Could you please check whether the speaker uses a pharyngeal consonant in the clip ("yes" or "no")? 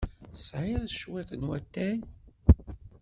yes